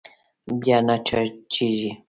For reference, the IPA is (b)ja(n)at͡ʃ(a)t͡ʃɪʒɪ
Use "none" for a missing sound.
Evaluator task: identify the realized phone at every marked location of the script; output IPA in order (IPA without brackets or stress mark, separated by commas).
b, n, a